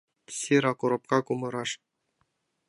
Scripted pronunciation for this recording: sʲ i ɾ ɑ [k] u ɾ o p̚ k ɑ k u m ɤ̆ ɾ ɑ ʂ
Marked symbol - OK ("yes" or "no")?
yes